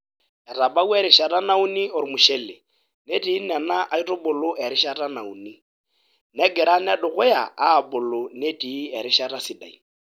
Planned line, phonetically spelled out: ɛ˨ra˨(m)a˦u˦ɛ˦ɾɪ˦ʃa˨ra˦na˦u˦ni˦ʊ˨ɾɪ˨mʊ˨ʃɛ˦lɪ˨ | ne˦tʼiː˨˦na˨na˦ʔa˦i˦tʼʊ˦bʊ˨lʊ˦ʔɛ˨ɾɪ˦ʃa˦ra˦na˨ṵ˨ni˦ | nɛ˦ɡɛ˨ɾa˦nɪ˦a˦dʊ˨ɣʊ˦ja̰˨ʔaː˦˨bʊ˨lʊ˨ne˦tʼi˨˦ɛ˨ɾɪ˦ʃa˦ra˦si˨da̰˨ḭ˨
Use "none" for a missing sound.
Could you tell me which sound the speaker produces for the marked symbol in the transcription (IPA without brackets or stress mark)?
b